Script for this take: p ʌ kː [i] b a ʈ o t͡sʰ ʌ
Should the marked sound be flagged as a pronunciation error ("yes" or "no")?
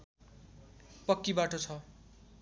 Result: no